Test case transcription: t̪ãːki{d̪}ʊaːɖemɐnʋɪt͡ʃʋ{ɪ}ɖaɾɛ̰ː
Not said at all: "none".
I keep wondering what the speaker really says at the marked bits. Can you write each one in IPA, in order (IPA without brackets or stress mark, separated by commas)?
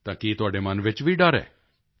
t̪, i